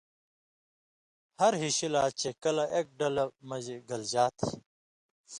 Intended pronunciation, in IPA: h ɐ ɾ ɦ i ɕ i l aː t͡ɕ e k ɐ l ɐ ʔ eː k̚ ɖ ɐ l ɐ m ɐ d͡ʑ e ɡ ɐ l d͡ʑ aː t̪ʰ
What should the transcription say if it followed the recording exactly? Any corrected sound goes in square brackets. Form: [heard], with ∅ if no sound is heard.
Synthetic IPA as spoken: h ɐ ɾ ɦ i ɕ i l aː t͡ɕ e k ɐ l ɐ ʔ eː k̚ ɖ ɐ l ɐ m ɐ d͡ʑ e ɡ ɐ l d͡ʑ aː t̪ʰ

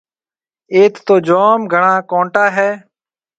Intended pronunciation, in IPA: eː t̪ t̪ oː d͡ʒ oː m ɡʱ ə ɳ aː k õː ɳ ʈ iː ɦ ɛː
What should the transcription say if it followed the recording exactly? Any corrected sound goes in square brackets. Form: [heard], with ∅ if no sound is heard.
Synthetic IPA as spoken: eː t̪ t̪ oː d͡ʒ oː m ɡʱ ə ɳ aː k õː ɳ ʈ [aː] ɦ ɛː

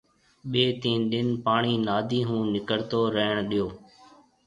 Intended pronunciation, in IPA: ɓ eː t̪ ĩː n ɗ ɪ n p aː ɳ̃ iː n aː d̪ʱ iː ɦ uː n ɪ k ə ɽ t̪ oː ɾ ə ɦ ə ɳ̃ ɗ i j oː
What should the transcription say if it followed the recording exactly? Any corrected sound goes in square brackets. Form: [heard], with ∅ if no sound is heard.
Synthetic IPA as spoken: ɓ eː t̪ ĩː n ɗ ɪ n p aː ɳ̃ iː n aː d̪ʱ iː ɦ [ũː] n ɪ k ə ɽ t̪ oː ɾ ə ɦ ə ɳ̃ ɗ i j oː

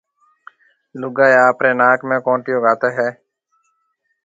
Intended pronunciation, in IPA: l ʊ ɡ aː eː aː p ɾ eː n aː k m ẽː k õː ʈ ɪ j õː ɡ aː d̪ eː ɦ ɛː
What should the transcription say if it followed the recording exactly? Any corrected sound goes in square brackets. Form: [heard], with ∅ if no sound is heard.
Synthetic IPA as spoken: l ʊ ɡ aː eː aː p ɾ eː n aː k m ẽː k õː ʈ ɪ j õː ɡ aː [t̪] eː ɦ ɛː

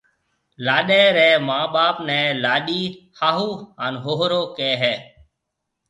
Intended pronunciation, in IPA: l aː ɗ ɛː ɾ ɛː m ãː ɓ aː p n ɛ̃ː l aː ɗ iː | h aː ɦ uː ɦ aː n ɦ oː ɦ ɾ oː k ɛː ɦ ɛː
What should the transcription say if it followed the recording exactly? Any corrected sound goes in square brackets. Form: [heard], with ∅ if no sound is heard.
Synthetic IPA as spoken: l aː ɗ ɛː ɾ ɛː m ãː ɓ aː p n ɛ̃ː l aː ɗ iː | h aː ɦ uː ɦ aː n ɦ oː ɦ ɾ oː k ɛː ɦ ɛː

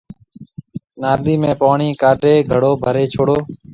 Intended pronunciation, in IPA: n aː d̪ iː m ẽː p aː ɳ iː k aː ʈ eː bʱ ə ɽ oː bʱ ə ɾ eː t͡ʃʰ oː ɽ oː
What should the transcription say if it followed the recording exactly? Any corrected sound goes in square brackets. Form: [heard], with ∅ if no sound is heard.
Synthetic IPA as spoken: n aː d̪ iː m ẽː p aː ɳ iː k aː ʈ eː [ɡʱ] ə ɽ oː bʱ ə ɾ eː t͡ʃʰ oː ɽ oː

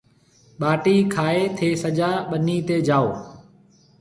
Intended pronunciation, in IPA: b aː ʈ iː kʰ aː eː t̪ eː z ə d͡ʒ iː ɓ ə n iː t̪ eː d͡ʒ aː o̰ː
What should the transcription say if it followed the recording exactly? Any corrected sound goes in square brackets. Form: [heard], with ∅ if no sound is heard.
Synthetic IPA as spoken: [ɓ] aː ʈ iː kʰ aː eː [t̪ʰ] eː [s] ə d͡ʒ [aː] ɓ ə n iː t̪ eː d͡ʒ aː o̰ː

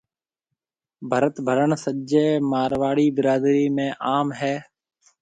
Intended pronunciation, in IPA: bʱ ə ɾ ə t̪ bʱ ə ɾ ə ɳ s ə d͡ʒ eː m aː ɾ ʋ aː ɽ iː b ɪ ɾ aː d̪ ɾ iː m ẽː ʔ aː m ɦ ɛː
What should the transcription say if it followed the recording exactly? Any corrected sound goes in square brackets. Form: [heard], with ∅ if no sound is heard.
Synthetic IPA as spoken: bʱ ə ɾ ə t̪ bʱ ə ɾ ə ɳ s ə d͡ʒ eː m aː ɾ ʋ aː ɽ iː b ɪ ɾ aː d̪ ɾ iː m ẽː ʔ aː m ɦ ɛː

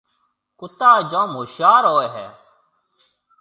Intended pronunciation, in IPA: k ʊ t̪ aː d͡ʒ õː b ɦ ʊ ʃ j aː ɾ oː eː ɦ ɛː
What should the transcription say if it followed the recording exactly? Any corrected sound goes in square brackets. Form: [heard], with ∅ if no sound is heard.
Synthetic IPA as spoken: k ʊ t̪ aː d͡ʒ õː [m] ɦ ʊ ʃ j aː ɾ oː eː ɦ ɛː

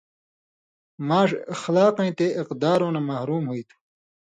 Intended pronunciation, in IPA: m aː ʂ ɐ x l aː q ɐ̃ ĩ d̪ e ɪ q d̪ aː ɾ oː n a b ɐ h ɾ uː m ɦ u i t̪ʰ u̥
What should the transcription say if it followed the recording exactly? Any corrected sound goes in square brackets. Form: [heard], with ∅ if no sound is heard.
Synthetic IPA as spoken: m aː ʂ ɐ x l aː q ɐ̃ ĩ [t̪] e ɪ q d̪ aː ɾ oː n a [m] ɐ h ɾ uː m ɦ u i t̪ʰ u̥

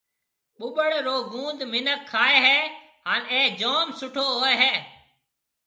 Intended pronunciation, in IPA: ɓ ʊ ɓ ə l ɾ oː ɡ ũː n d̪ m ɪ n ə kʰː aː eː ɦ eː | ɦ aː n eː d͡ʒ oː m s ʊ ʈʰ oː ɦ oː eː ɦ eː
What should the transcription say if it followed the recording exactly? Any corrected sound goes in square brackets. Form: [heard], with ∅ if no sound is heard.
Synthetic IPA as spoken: ɓ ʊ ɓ ə [ɽ] ɾ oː ɡ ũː n d̪ m ɪ n ə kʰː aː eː ɦ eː | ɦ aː n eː d͡ʒ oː m s ʊ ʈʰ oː ɦ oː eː ɦ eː

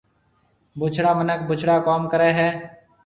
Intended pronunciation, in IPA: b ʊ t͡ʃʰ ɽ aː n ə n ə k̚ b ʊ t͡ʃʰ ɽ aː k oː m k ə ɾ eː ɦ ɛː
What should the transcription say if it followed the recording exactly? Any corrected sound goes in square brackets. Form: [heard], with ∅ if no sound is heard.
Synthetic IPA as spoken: b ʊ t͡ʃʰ ɽ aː [m] ə n ə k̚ b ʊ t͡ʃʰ ɽ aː k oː m k ə ɾ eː ɦ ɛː

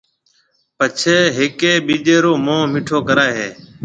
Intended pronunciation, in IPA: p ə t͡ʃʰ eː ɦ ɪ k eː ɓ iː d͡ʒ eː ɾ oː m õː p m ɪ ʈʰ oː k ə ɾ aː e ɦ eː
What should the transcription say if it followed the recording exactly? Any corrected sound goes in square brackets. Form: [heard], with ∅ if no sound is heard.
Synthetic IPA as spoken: p ə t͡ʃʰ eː ɦ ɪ k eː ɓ iː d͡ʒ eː ɾ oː m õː [∅] m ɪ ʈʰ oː k ə ɾ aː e ɦ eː

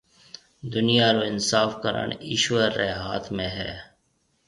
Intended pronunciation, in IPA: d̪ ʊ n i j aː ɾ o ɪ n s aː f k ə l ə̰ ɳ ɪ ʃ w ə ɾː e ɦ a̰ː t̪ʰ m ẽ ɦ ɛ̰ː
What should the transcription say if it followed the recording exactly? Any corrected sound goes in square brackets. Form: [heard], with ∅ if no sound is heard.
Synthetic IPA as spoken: d̪ ʊ n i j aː ɾ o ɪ n s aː f k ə [ɾ] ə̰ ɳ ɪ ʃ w ə ɾː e ɦ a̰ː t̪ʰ m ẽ ɦ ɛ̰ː

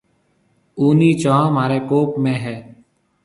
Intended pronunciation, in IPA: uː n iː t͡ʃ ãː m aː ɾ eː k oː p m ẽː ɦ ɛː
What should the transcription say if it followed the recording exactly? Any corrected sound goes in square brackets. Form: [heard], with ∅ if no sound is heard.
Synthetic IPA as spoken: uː n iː t͡ʃ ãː m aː ɾ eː k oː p m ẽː ɦ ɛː

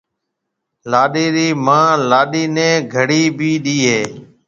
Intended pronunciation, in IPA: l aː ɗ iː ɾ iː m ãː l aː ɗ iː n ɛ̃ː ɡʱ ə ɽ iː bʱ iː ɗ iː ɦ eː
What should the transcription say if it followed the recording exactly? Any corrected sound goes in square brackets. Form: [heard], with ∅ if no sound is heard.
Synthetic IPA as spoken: l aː ɗ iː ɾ iː m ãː l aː ɗ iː n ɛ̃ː ɡʱ ə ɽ iː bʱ iː ɗ iː ɦ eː

